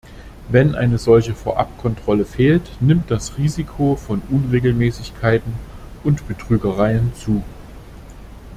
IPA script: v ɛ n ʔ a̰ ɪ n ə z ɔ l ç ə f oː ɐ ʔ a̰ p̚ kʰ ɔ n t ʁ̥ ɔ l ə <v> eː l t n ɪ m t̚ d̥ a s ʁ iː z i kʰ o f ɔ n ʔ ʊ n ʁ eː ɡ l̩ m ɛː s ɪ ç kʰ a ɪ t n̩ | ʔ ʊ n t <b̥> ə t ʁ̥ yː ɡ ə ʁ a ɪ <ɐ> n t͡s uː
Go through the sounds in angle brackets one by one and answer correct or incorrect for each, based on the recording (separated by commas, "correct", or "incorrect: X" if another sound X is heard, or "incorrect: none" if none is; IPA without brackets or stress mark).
incorrect: f, correct, incorrect: ə